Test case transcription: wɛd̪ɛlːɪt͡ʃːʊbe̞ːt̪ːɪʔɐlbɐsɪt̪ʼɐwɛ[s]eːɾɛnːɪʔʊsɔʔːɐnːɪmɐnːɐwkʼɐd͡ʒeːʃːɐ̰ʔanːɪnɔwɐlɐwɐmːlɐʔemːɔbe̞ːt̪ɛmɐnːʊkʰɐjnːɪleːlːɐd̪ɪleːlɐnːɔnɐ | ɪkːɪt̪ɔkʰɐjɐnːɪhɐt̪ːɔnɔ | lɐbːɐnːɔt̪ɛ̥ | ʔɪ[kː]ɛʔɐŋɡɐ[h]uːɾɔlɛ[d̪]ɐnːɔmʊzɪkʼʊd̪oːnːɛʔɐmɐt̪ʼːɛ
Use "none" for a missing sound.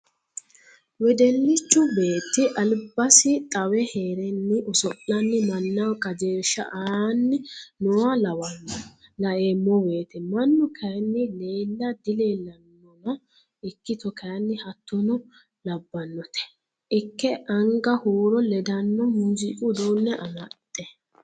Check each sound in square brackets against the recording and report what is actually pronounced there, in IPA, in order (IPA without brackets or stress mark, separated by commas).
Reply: h, kː, h, d̪